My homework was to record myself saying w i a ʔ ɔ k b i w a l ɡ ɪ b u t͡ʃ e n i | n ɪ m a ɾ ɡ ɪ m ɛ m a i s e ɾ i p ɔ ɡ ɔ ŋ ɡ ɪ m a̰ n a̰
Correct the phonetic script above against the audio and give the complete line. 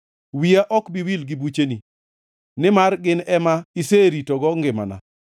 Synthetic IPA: w i a ʔ ɔ k b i w i l ɡ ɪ b u t͡ʃ e n i | n ɪ m a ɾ ɡ ɪ n ɛ m a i s e ɾ i t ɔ ɡ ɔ ŋ ɡ ɪ m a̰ n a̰